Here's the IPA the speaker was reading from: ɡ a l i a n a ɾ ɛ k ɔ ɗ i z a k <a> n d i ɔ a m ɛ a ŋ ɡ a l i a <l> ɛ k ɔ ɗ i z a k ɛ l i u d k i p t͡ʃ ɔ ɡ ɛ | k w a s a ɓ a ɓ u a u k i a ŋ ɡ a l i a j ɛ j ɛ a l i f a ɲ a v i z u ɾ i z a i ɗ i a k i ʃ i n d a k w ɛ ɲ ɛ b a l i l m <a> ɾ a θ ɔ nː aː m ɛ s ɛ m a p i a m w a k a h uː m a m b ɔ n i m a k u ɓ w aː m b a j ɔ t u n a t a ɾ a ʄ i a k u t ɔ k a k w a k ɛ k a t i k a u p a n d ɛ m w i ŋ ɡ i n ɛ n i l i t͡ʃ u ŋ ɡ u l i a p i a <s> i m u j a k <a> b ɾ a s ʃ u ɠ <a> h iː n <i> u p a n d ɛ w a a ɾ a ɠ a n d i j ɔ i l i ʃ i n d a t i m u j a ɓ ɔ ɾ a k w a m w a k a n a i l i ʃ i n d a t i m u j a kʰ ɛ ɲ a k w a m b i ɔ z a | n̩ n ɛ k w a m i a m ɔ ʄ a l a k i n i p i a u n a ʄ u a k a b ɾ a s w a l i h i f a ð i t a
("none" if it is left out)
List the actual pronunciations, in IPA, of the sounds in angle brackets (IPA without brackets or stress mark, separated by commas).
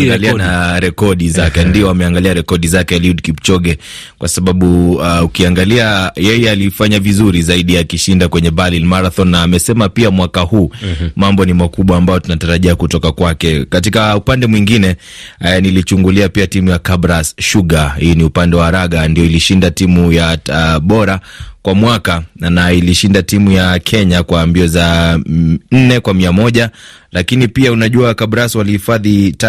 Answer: ɛ, ɾ, a, t, a, a, i